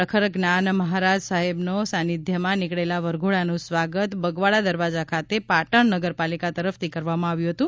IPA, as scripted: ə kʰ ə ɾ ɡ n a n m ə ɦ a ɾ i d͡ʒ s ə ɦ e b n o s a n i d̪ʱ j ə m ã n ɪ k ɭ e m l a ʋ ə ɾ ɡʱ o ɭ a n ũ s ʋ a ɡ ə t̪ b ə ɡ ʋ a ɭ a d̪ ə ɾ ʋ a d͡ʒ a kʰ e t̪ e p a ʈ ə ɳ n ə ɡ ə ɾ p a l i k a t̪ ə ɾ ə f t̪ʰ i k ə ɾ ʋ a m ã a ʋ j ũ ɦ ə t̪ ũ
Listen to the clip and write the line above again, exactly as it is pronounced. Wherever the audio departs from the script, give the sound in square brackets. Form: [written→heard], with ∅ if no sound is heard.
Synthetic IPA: ə kʰ ə ɾ ɡ n a n m ə ɦ a ɾ [i→a] d͡ʒ s [ə→a] ɦ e b n o s a n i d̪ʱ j ə m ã n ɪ k ɭ e [m→∅] l a ʋ ə ɾ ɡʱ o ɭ a n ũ s ʋ a ɡ ə t̪ b ə ɡ ʋ a ɭ a d̪ ə ɾ ʋ a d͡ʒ a kʰ [e→a] t̪ e p a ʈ ə ɳ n ə ɡ ə ɾ p a l i k a t̪ ə ɾ ə f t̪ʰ i k ə ɾ ʋ a m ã a ʋ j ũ ɦ ə t̪ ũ